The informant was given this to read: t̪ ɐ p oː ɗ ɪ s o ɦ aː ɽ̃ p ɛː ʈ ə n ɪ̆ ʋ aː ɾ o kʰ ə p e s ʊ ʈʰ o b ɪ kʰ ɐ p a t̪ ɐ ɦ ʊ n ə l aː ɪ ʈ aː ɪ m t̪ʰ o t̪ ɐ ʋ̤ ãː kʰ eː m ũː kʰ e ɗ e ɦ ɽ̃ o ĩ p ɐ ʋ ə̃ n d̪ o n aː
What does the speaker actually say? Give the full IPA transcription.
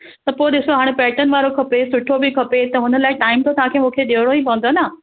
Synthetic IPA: t̪ ɐ p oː ɗ ɪ s o ɦ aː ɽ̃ p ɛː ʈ ə n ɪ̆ ʋ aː ɾ o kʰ ɐ p e s ʊ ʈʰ o b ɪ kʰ ɐ p e t̪ ɐ ɦ ʊ n ə l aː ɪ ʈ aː ɪ m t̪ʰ o t̪ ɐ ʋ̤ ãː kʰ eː m ũː kʰ e ɗ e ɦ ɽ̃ o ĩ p ɐ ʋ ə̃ n d̪ o n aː